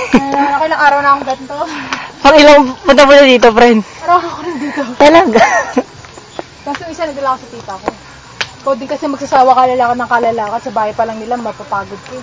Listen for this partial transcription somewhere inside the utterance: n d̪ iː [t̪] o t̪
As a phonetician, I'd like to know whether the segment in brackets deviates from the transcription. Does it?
no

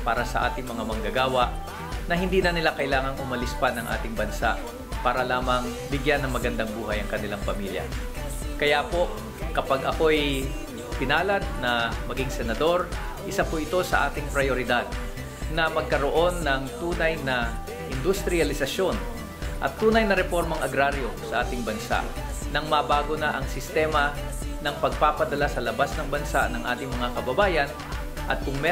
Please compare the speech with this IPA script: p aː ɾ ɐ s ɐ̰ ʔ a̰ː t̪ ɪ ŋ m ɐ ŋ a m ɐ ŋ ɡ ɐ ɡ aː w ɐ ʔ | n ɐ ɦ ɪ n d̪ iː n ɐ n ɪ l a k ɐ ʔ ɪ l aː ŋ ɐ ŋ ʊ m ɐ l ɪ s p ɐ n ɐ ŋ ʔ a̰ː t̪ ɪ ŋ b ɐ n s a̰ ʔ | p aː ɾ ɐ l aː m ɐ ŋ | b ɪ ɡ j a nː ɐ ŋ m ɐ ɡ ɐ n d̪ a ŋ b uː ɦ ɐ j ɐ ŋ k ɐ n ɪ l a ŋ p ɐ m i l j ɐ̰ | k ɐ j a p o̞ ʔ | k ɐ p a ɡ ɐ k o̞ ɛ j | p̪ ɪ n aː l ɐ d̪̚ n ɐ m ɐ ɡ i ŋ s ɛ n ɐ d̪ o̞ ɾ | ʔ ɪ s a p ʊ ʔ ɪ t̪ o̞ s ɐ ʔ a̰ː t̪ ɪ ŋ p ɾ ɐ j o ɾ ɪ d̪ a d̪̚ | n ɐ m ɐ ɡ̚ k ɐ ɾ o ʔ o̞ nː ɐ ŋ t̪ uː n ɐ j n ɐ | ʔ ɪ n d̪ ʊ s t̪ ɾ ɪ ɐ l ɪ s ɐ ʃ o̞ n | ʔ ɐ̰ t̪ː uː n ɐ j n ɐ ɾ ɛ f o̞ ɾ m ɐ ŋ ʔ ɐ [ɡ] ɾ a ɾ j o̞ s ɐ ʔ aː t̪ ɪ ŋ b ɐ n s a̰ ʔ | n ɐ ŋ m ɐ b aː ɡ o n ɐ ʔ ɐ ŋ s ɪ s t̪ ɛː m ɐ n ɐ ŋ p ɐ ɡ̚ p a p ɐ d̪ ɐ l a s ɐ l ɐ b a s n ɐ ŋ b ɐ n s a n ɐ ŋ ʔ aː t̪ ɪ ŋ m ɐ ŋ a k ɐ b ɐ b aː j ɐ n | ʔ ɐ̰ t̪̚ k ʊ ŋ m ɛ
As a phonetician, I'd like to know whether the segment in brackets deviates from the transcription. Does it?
no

